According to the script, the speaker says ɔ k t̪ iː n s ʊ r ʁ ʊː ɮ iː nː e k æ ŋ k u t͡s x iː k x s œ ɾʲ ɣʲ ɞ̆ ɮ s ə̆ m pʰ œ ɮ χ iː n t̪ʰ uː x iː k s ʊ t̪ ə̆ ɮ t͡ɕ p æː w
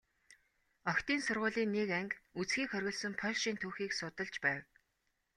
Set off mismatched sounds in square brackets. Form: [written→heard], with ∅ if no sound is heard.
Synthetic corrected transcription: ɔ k t̪ iː n s ʊ r ʁ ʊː ɮ iː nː e k æ ŋ k u t͡s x iː k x [s→χ] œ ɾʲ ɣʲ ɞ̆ ɮ s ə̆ m pʰ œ ɮ [χ→ʃ] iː n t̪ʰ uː x iː k s ʊ t̪ ə̆ ɮ t͡ɕ p æː w